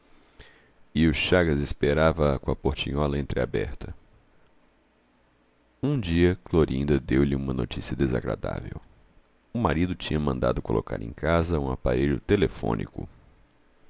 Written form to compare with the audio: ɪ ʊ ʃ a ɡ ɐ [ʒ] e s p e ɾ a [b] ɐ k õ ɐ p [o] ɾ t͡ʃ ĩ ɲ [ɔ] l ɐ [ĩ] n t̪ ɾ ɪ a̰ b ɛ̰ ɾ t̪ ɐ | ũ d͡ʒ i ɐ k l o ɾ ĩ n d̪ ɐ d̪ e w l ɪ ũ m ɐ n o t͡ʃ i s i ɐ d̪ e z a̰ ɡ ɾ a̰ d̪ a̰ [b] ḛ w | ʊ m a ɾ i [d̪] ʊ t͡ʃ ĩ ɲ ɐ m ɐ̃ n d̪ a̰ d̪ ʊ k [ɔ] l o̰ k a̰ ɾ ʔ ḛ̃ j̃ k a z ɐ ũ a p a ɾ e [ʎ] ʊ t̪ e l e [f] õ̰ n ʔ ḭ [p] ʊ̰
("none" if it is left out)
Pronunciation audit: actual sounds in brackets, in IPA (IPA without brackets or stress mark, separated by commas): z, v, o, ɔ, ẽ, v, d̪, o, ʎ, f, k